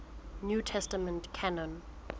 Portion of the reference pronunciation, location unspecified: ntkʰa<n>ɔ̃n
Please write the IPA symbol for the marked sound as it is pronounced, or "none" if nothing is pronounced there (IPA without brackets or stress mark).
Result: n